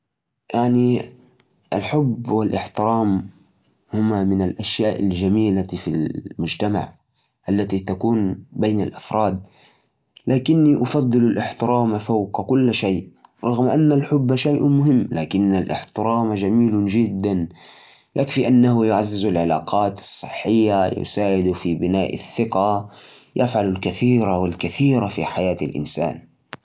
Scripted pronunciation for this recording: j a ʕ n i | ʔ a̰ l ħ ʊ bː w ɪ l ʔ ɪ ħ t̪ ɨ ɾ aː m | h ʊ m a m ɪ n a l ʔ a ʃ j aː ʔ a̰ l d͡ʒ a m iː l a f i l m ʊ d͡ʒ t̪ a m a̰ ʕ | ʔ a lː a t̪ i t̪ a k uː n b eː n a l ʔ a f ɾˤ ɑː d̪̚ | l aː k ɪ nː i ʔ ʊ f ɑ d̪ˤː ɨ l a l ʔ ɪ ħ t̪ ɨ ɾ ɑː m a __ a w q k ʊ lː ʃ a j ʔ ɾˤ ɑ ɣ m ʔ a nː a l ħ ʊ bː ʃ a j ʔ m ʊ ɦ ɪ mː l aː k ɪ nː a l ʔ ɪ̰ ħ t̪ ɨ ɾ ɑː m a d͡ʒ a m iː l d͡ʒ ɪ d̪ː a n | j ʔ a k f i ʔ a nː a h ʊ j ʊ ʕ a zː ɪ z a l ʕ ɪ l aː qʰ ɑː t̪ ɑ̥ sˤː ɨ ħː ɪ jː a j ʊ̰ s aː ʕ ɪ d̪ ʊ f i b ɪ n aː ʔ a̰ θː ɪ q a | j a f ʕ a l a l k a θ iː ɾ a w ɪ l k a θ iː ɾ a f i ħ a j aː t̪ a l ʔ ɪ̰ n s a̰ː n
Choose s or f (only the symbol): f